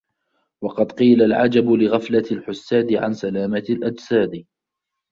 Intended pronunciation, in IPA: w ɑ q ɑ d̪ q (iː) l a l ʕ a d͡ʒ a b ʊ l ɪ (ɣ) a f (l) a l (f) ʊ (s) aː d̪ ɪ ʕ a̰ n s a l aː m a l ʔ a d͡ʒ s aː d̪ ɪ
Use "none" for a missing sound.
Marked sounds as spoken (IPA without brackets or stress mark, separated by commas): iː, ɣ, l, ħ, sː